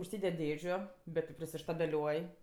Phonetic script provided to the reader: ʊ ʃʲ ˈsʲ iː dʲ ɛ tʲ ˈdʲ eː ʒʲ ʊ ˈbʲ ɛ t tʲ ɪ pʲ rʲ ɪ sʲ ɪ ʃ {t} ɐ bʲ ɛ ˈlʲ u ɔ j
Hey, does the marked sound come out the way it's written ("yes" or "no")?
yes